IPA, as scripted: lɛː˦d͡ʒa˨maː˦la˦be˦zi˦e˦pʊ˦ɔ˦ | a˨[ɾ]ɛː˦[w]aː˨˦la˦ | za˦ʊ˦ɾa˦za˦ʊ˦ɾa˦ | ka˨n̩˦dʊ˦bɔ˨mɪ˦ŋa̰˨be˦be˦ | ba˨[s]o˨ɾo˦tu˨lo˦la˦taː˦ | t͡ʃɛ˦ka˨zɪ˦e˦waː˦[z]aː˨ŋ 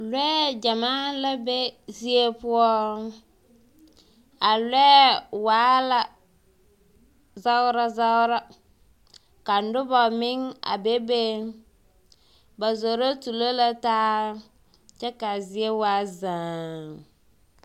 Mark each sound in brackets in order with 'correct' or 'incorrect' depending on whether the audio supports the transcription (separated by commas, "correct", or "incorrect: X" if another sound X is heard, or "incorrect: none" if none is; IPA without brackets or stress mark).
incorrect: l, correct, incorrect: z, correct